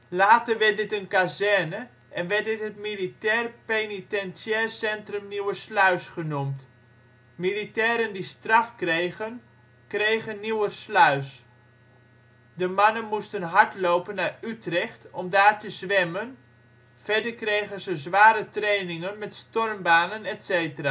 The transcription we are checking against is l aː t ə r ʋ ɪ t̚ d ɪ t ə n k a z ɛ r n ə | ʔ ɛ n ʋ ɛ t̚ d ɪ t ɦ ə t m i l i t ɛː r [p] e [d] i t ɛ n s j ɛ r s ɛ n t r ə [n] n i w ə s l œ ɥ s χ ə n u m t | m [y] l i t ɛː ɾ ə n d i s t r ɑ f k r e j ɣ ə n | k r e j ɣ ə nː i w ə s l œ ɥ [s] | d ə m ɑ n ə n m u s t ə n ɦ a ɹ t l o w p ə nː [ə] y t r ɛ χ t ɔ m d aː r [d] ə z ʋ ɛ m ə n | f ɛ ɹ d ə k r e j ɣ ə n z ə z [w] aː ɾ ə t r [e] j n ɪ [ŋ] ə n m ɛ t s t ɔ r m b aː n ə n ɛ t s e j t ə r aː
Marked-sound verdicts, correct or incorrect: correct, incorrect: n, incorrect: m, incorrect: i, correct, incorrect: a, incorrect: t, incorrect: ʋ, correct, correct

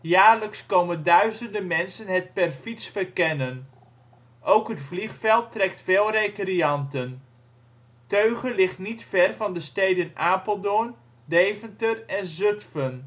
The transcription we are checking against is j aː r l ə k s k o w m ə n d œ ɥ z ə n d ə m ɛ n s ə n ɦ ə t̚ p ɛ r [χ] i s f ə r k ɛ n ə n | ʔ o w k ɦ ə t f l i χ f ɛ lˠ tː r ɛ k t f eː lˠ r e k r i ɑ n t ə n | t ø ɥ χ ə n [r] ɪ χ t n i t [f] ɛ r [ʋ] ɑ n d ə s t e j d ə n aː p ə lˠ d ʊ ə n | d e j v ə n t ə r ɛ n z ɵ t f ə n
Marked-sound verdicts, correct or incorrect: incorrect: f, incorrect: l, correct, incorrect: v

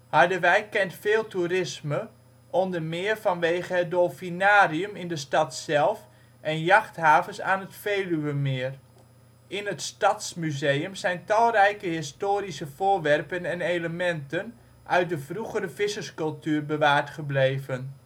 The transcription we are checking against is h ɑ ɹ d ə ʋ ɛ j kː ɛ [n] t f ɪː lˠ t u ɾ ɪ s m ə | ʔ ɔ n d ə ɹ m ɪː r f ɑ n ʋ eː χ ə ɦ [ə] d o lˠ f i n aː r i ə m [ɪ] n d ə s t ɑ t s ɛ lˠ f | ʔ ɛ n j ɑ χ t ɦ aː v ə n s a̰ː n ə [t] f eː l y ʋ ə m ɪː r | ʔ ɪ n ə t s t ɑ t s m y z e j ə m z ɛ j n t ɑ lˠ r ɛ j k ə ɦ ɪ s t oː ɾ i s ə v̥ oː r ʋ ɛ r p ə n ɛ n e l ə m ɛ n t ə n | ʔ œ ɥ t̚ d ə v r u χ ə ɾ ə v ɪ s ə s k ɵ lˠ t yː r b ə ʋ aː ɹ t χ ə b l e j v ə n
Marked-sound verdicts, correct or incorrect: correct, correct, correct, correct

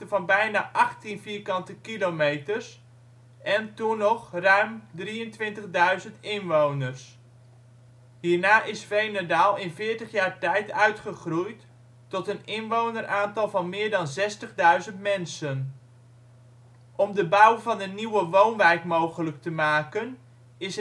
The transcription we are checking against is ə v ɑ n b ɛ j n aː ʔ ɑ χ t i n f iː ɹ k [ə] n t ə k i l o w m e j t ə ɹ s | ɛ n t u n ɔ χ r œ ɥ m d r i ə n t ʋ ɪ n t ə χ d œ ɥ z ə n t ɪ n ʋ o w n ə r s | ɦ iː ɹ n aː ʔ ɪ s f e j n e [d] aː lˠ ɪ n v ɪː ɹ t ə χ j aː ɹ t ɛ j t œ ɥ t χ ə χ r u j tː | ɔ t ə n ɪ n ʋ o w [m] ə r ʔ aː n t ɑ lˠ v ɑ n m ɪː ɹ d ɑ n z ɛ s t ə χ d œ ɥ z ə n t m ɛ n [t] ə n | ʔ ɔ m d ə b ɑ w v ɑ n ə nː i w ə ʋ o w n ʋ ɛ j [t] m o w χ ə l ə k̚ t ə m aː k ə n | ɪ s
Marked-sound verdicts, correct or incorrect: incorrect: ɑ, correct, incorrect: n, incorrect: s, incorrect: k

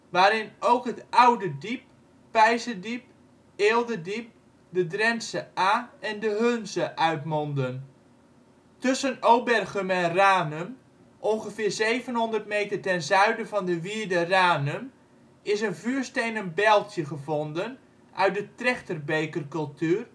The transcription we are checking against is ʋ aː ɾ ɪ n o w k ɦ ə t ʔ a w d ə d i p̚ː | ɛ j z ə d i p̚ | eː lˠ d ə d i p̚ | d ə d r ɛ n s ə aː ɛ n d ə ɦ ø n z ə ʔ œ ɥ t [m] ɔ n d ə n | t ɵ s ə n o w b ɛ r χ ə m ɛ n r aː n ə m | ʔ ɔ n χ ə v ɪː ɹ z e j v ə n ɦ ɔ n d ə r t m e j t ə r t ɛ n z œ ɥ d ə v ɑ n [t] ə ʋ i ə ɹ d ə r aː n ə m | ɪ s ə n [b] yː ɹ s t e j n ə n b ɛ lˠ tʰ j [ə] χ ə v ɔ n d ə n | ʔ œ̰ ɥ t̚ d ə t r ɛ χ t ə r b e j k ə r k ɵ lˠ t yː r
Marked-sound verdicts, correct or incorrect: correct, incorrect: d, incorrect: v, correct

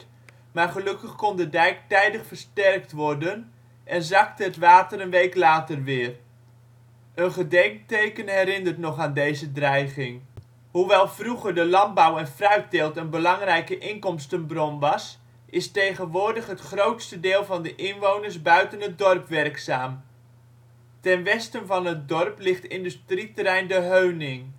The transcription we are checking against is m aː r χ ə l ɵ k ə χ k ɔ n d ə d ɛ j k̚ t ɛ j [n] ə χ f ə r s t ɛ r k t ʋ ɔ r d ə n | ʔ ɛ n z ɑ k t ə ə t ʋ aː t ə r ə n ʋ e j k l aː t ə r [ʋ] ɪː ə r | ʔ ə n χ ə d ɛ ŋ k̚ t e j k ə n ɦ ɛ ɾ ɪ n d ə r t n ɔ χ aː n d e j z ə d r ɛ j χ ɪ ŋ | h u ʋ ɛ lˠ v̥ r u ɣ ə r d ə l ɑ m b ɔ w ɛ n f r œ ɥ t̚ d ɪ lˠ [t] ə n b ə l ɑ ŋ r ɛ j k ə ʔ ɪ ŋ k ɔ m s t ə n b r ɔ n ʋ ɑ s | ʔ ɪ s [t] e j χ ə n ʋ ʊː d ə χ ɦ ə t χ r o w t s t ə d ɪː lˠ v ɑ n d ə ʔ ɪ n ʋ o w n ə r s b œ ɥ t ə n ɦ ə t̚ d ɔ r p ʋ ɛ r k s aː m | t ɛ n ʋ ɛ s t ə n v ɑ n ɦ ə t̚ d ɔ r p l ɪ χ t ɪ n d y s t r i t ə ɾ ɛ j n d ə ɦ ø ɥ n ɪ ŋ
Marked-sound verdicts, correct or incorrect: incorrect: d, correct, correct, correct

